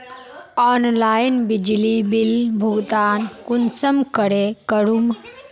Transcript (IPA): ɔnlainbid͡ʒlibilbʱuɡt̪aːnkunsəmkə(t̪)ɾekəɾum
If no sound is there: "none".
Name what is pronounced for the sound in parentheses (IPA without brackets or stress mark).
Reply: none